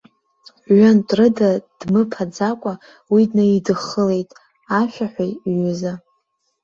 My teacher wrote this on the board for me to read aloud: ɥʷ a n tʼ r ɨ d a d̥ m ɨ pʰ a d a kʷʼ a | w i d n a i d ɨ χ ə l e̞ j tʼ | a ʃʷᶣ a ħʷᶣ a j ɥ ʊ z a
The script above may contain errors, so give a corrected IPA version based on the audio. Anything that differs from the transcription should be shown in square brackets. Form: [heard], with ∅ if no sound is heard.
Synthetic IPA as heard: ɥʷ a n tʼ r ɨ d a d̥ m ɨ pʰ a [d͡z] a kʷʼ a | w i d n a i d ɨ χ ə l e̞ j tʼ | a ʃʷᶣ a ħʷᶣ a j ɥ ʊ z a